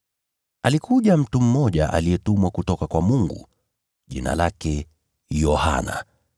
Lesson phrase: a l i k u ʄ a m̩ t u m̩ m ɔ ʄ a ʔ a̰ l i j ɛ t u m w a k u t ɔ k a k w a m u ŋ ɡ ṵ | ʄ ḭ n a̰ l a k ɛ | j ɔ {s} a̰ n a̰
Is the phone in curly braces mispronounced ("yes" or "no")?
yes